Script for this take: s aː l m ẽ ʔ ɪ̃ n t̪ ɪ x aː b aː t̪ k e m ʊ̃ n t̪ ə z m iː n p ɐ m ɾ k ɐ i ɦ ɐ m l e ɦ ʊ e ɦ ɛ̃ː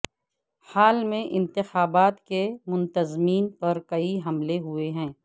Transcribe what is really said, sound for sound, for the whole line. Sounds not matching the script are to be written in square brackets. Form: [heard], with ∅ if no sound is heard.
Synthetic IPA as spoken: [h] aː l m ẽ ʔ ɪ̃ n t̪ ɪ x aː b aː t̪ k e m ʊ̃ n t̪ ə z m iː n p ɐ [∅] ɾ k ɐ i ɦ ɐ m l e ɦ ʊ e ɦ ɛ̃ː